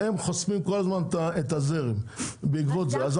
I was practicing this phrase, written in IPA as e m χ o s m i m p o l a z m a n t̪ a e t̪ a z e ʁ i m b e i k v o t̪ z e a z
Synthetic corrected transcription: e m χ o s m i m k o l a z m a n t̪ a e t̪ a z e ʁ i m b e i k v o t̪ z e a z